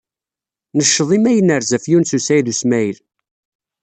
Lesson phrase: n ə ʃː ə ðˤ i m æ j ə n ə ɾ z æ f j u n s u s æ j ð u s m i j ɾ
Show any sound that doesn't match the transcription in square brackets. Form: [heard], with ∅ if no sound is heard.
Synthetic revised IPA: n ə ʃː ə ðˤ i m æ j ə n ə ɾ z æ f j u n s u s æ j ð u s m [æ] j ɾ